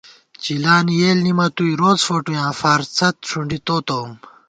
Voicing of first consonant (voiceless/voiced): voiceless